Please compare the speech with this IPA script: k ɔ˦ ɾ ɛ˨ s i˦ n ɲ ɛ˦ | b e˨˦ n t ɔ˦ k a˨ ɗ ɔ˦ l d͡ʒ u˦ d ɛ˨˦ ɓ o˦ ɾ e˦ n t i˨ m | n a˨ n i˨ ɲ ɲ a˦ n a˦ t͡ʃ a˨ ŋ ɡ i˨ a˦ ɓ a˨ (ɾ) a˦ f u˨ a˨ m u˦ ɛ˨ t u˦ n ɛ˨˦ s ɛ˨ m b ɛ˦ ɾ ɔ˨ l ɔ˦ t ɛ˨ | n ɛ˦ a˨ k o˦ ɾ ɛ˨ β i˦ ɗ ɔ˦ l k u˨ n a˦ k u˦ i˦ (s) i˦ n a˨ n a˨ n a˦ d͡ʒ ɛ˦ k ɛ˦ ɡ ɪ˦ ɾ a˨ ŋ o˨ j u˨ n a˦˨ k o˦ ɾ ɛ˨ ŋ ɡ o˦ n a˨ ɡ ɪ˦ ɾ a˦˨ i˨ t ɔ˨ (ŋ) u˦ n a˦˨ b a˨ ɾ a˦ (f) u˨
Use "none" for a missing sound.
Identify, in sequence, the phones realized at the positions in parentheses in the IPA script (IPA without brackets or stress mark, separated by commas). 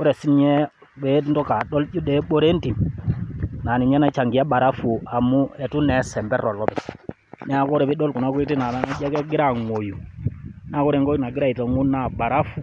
ɾ, t, ŋ, f